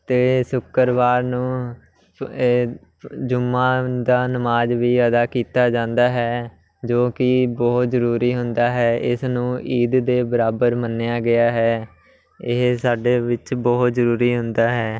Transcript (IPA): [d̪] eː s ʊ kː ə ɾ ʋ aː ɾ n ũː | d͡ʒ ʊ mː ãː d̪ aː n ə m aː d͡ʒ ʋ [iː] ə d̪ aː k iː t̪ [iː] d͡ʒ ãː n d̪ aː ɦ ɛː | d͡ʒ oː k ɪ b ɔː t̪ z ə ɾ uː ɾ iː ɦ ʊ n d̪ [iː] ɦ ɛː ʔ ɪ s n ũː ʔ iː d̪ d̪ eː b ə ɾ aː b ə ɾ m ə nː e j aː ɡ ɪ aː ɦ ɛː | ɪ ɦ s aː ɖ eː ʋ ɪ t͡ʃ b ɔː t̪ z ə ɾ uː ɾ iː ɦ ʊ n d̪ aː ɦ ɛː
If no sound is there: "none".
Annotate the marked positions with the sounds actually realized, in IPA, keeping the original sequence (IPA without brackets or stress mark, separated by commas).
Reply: t̪, iː, aː, aː